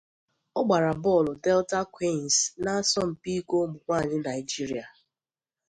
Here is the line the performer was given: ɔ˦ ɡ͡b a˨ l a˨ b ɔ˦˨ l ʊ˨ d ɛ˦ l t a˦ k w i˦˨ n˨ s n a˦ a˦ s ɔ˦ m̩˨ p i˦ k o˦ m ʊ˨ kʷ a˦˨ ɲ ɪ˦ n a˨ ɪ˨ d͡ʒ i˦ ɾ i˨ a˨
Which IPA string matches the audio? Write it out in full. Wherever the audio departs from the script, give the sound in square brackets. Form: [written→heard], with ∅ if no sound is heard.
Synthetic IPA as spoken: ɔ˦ ɡ͡b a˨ [l→ɾ] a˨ b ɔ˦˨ l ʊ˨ d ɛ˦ l t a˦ k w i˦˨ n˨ s n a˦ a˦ s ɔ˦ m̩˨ p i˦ k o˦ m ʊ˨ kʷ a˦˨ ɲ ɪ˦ n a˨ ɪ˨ d͡ʒ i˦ ɾ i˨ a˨